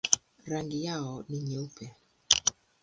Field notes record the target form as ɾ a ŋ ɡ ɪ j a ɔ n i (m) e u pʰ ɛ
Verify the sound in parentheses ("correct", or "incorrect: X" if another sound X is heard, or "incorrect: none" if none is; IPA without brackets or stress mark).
incorrect: ɲ